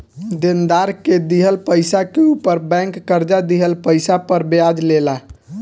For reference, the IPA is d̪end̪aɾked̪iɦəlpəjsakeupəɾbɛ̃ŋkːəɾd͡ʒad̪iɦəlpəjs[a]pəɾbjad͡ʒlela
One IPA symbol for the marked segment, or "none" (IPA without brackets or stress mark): a